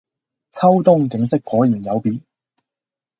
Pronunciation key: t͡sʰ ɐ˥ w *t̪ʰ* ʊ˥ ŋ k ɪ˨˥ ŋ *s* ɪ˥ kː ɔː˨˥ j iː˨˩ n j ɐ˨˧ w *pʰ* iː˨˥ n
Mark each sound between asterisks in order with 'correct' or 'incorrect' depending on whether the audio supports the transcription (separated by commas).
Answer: incorrect, correct, incorrect